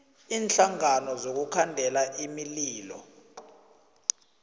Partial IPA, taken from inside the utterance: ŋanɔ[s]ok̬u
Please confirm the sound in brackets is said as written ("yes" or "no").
no